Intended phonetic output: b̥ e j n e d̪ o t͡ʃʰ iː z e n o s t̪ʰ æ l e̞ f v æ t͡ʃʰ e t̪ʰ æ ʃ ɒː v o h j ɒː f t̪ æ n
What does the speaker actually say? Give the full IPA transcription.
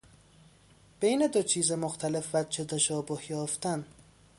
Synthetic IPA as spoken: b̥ e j n e d̪ o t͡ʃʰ iː z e m o x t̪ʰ æ l e̞ f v æ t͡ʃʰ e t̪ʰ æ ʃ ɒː b o h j ɒː f t̪ æ n